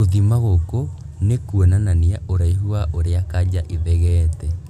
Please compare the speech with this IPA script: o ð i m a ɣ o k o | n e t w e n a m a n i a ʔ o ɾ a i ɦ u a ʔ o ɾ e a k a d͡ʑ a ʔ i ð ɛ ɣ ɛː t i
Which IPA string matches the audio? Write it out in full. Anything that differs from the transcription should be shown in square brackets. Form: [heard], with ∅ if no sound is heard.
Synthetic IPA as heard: o ð i m a ɣ o k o | n e [k] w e n a [n] a n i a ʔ o ɾ a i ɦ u a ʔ o ɾ e a k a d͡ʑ a ʔ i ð ɛ ɣ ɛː t [ɛ]

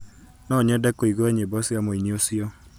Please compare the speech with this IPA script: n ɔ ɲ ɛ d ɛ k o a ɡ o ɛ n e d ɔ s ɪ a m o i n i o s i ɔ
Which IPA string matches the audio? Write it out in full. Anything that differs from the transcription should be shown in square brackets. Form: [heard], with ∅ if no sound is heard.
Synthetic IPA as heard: n ɔ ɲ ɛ d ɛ k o [i] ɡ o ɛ [ɲ] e [b] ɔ s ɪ a m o i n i o s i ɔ

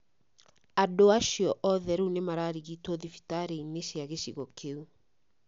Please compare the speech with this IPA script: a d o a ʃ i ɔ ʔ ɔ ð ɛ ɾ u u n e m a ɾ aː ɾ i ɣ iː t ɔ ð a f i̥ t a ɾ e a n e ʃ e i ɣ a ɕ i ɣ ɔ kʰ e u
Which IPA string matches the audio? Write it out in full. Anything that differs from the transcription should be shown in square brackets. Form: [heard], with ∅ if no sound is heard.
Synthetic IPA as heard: a d o a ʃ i ɔ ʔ ɔ ð ɛ ɾ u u n e m a ɾ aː ɾ i ɣ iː t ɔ ð [i] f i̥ t a ɾ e [i] n e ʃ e [a] ɣ [e] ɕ i ɣ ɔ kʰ e u

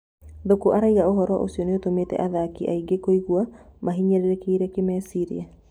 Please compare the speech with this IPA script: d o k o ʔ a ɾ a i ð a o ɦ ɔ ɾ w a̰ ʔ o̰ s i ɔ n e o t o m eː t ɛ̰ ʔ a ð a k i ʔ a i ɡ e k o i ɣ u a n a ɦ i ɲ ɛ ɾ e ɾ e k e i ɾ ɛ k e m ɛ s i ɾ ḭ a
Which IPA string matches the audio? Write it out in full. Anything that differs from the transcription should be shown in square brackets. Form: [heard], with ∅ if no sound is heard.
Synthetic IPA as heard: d o k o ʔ a ɾ a i [ɣ] a o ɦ ɔ ɾ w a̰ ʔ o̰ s i ɔ n e o t o m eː t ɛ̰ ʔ a ð a k i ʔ a i ɡ e k o i ɣ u a [m] a ɦ i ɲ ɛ ɾ e ɾ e k e i ɾ ɛ k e m ɛ s i ɾ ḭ a

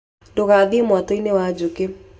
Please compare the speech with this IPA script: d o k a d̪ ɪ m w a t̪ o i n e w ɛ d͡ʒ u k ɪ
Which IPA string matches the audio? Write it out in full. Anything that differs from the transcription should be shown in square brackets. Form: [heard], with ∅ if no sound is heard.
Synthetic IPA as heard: d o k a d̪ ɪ m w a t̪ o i n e w [a] d͡ʒ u k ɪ

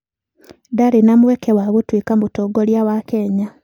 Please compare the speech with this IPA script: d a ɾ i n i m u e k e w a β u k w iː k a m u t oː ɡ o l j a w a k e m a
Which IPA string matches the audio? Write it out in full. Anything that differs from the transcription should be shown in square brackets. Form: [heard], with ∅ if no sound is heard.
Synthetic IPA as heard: d a ɾ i n [a] m [w] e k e w a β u [t] w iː k a m u t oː ɡ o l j a w a k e [ɲ] a

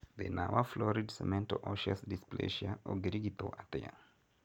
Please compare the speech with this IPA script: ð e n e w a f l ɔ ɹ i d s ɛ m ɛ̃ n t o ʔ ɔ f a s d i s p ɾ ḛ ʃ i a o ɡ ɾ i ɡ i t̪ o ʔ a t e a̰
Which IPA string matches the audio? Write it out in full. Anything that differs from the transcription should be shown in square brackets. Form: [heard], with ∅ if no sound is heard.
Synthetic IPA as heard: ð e n [a] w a f l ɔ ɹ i d s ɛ m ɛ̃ n t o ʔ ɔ [ʃ] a s d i s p [l] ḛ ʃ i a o ɡ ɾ i ɡ i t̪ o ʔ a t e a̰

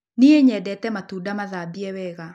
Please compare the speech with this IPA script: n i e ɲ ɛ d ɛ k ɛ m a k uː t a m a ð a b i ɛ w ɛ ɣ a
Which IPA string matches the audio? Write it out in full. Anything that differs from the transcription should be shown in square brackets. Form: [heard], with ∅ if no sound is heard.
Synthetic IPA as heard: n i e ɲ ɛ d ɛ [t] ɛ m a [t] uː [d] a m a ð a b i ɛ w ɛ ɣ a

